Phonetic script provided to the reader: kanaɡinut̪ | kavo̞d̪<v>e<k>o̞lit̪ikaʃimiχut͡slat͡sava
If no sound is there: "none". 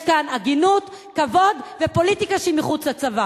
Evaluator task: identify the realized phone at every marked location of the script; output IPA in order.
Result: v, p

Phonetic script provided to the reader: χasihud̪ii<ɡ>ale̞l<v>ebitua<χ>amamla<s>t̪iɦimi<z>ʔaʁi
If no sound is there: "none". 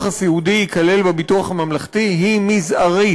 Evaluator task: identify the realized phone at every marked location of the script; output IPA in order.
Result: k, b, χ, χ, z

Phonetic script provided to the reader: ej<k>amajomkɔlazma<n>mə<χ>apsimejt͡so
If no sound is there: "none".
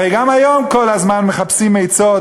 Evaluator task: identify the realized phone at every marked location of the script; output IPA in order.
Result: ɡ, n, χ

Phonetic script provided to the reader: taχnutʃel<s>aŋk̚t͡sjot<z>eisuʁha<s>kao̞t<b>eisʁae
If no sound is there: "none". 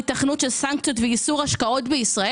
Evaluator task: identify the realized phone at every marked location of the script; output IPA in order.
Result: s, v, ʃ, b

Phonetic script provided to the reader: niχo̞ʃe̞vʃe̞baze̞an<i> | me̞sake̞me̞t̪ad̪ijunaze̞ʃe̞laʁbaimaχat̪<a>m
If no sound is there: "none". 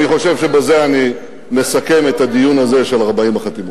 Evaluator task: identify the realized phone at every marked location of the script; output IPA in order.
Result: i, i

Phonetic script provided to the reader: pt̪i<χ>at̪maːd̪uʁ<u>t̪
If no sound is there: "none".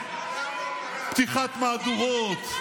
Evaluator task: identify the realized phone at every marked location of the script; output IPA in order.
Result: χ, o

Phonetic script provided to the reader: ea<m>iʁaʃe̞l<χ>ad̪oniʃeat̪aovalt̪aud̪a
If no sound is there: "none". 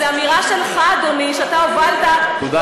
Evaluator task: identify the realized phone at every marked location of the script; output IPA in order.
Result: m, χ

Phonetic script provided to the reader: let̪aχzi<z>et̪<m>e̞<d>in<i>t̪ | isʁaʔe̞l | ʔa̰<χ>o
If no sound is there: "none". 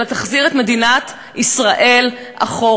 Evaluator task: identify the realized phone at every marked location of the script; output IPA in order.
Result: ʁ, m, d, a, χ

